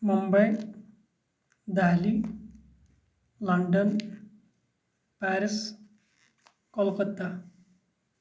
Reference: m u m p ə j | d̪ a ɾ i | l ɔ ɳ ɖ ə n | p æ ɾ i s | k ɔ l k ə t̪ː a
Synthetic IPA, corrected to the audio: m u m b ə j | d̪ a l i | l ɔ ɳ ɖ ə n | p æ ɾ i s | k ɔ l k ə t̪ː a